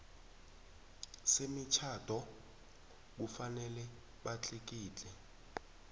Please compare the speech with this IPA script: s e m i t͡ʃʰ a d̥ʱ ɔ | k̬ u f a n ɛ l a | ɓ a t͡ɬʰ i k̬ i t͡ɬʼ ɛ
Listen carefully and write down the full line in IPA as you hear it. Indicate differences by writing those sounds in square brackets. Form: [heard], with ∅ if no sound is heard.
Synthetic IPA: s e m i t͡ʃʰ a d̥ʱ ɔ | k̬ u f a n ɛ l [ɛ] | ɓ a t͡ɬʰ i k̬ [iː] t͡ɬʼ ɛ